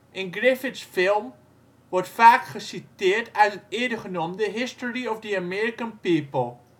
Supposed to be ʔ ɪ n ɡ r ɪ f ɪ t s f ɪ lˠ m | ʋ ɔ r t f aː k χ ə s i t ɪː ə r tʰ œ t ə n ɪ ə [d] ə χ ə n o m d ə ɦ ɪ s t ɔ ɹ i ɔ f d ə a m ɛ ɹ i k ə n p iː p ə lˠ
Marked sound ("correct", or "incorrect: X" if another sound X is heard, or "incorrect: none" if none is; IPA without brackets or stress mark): correct